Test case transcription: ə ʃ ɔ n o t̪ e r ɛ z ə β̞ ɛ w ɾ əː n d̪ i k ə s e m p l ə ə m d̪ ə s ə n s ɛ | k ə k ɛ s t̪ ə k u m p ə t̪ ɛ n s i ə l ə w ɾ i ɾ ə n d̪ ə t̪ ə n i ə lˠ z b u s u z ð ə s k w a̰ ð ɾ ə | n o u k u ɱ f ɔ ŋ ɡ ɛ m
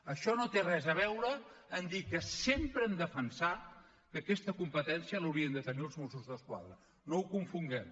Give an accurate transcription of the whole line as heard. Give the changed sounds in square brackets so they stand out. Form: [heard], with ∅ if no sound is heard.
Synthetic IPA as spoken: ə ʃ ɔ n o t̪ e r ɛ z ə β̞ ɛ w ɾ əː n d̪ i k ə s e m p [ɾ] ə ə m d̪ ə [f] ə n s [a] | k ə k ɛ s t̪ ə k u m p ə t̪ ɛ n s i ə l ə w ɾ i [∅] ə n d̪ ə t̪ ə n i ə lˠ z [m] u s u z ð ə s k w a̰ ð ɾ ə | n o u k u ɱ f [u] ŋ ɡ ɛ m

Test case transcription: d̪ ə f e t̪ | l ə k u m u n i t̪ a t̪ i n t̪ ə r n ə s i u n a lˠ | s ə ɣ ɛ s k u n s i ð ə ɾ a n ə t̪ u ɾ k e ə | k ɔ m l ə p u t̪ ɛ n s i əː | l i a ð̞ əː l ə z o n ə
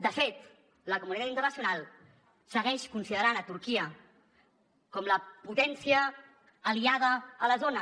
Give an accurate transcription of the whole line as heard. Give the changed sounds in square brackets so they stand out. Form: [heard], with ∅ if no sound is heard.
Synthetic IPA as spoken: d̪ ə f e t̪ | l ə k u m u n i t̪ a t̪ i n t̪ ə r n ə s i u n a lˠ | s ə ɣ ɛ [ʃ] k u n s i ð ə ɾ a n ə t̪ u ɾ k [i] ə | k ɔ m l ə p u t̪ ɛ n s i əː | l i a ð̞ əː l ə z o n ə

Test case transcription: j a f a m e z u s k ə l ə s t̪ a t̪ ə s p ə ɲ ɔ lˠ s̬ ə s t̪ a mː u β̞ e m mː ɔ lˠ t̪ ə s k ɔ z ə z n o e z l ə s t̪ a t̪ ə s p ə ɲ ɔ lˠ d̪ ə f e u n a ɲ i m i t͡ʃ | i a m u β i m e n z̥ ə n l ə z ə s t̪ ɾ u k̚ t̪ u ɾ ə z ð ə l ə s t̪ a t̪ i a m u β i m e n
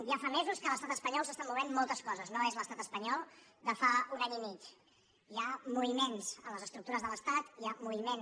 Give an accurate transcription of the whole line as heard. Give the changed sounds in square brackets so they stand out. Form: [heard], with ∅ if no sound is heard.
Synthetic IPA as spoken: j a f a m e z u s k ə l ə s t̪ a t̪ ə s p ə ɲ ɔ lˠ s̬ ə s t̪ a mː u β̞ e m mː ɔ lˠ t̪ ə s k ɔ z ə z n o e z l ə s t̪ a t̪ ə s p ə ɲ ɔ lˠ d̪ ə f [a] u n a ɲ i m i t͡ʃ | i a m u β i m e n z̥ ə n l ə z ə s t̪ ɾ u k̚ t̪ u ɾ ə z ð ə l ə s t̪ a t̪ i a m u β i m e n

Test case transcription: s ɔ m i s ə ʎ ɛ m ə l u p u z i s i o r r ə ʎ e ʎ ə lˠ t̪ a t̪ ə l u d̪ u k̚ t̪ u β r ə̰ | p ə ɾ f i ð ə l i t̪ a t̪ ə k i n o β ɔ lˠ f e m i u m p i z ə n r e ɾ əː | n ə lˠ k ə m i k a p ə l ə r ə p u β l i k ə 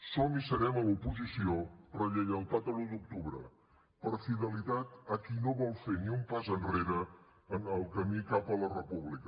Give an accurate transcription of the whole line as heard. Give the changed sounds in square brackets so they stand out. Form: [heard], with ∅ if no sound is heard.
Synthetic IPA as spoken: s ɔ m i s ə [ɾ] ɛ m ə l u p u z i s i o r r ə ʎ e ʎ ə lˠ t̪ a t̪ ə l u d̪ u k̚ t̪ u β [ɾ] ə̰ | p ə ɾ f i ð ə l i t̪ a t̪ ə k i n o β ɔ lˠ f e [n] i u m p [a] z ə n r e ɾ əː | n ə lˠ k ə m i k a p ə l ə r ə p u β l i k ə

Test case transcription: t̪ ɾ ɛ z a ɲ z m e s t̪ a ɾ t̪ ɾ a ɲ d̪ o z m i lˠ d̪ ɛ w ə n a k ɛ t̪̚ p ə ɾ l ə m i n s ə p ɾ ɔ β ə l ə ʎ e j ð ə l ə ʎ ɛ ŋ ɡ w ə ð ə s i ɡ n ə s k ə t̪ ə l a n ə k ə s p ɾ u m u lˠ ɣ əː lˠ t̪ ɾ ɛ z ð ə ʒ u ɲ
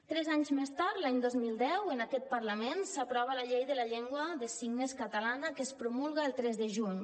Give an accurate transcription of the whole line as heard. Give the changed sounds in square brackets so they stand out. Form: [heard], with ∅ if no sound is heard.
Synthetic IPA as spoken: t̪ ɾ ɛ z a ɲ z m e s t̪ a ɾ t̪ [l] a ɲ d̪ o z m i lˠ d̪ ɛ w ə n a k ɛ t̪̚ p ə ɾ l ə m [e] n s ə p ɾ ɔ β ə l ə ʎ e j ð ə l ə ʎ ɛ ŋ ɡ w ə ð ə s i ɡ n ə s k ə t̪ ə l a n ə k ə s p ɾ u m u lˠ ɣ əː lˠ t̪ ɾ ɛ z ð ə ʒ u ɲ

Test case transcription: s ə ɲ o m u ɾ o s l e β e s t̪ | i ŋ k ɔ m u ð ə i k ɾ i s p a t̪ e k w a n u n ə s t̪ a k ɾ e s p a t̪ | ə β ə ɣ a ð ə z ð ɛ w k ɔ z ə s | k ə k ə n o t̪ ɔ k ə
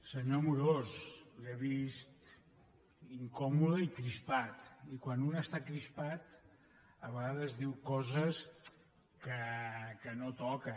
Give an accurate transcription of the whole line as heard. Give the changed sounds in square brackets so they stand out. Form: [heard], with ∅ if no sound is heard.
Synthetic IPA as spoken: s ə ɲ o m u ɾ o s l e β [i] s t̪ | i ŋ k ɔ m u ð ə i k ɾ i s p a t̪ [i] k w a n u n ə s t̪ a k ɾ [i] s p a t̪ | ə β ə ɣ a ð ə z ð [i] w k ɔ z ə s | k ə k ə n o t̪ ɔ k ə

